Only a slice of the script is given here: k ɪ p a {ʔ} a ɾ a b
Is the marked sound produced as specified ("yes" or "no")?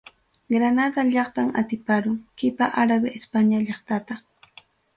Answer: yes